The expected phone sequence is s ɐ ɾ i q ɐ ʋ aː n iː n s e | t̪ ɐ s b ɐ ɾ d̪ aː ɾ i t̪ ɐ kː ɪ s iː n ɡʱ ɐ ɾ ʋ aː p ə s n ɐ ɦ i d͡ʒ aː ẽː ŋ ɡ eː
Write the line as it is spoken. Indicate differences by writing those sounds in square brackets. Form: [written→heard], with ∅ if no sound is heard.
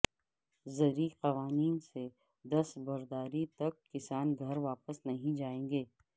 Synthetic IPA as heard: [s→z] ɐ ɾ i q ɐ ʋ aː n iː n s e | [t̪→d̪] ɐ s b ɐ ɾ d̪ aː ɾ i t̪ ɐ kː ɪ s [iː→aː] n ɡʱ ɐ ɾ ʋ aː p ə s n ɐ ɦ [i→ĩ] d͡ʒ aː ẽː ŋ ɡ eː